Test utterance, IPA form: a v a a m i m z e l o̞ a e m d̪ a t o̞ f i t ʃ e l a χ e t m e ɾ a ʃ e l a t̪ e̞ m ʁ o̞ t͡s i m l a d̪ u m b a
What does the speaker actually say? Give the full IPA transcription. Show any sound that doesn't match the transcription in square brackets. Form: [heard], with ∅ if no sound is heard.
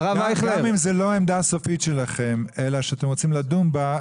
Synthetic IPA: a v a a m i m z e l o̞ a e m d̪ a [s] o̞ f i t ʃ e l a χ e [∅] m e [l] a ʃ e [∅] a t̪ e̞ m ʁ o̞ t͡s i m l a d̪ u m b a